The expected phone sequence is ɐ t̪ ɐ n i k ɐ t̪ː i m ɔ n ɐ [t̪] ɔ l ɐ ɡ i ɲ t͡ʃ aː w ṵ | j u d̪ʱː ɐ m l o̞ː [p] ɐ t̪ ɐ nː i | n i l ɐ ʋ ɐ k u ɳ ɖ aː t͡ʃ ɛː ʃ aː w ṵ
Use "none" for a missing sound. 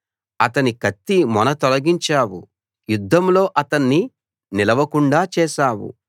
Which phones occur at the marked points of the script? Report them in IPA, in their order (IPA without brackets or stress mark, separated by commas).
t̪, ʔ